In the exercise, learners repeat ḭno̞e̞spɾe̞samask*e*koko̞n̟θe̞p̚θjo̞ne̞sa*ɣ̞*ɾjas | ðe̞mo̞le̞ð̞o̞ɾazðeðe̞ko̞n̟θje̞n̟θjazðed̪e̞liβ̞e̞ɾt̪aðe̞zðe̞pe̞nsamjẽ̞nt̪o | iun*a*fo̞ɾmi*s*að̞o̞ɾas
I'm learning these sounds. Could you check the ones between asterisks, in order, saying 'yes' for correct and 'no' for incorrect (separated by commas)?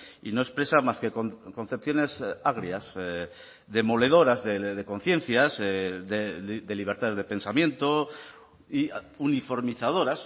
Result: yes, yes, no, no